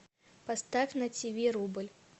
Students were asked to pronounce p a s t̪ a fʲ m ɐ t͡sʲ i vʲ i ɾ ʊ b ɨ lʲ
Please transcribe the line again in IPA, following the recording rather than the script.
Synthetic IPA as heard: p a s t̪ a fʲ n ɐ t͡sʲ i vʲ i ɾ u b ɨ lʲ